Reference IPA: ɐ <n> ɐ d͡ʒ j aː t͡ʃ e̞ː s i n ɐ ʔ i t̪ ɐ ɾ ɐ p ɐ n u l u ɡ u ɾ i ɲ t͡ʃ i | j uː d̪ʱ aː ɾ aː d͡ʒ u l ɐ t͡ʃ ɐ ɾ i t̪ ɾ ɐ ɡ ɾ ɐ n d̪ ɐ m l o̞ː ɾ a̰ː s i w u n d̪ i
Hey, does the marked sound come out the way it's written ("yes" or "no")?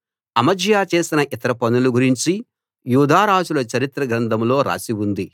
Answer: no